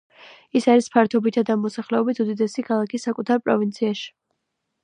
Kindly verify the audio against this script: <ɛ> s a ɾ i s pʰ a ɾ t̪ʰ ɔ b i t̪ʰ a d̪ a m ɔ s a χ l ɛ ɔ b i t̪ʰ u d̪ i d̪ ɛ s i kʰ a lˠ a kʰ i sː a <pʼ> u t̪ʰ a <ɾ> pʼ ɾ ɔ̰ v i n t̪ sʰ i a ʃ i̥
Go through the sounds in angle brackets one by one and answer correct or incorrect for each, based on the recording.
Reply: incorrect: i, incorrect: kʼ, correct

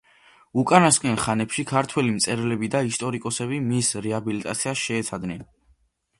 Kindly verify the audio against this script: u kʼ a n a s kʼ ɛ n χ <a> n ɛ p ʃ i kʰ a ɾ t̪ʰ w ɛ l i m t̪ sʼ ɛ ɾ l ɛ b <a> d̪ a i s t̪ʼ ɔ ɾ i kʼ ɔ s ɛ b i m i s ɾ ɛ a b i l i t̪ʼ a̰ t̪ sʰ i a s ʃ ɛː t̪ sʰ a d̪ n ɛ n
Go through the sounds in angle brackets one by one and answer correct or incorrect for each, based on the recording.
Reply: correct, incorrect: i

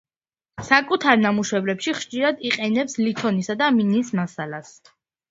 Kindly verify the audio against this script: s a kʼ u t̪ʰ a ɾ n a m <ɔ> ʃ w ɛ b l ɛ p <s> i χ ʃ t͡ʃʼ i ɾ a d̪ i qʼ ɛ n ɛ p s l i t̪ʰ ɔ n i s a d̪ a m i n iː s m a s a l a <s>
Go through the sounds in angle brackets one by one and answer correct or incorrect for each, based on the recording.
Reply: incorrect: u, incorrect: ʃ, correct

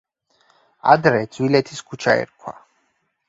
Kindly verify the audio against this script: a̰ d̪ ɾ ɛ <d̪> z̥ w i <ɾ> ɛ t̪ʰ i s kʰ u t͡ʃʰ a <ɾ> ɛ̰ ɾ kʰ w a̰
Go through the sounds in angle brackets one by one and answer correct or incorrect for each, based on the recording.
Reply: correct, incorrect: l, incorrect: none

